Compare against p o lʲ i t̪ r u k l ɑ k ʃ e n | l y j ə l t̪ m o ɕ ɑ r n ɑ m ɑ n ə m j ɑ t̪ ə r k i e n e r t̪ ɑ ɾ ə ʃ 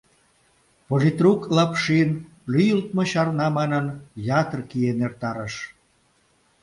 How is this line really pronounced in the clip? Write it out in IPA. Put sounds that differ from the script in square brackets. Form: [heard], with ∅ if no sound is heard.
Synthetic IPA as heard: p o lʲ i t̪ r u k l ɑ [p] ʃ [i] n | l y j ə l t̪ m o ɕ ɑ r n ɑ m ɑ n ə [n] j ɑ t̪ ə r k i e n e r t̪ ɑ ɾ ə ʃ